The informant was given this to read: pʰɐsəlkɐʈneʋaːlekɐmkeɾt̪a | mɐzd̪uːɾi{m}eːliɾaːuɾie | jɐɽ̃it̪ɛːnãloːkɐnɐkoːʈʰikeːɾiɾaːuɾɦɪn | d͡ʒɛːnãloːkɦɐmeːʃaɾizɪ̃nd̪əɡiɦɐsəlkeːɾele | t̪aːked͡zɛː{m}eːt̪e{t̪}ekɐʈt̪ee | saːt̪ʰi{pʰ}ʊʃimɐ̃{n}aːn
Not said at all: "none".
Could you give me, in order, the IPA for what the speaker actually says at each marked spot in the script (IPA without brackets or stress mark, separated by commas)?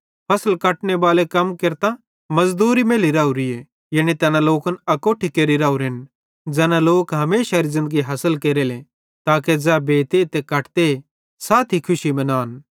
m, b, t̪, kʰ, n